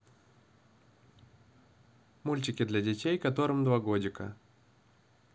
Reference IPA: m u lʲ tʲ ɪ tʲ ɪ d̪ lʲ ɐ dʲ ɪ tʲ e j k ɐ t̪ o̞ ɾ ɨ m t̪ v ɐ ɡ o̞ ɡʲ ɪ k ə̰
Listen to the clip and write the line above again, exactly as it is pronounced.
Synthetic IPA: m u lʲ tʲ ɪ kʲ ɪ d̪ lʲ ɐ dʲ ɪ tʲ e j k ɐ t̪ o̞ ɾ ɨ m d̪ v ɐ ɡ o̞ dʲ ɪ k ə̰